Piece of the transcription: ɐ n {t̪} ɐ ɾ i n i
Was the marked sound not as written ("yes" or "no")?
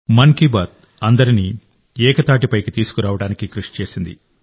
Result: yes